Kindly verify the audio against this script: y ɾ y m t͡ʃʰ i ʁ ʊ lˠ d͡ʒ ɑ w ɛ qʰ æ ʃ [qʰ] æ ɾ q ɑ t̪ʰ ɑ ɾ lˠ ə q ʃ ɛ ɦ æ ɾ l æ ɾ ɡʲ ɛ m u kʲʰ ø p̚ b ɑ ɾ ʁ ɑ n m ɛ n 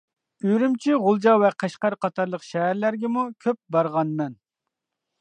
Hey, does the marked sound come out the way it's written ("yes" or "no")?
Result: no